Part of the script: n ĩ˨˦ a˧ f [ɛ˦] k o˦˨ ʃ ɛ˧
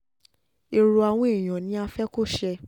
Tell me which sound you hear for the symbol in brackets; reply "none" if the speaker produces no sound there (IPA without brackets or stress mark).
ɛ˦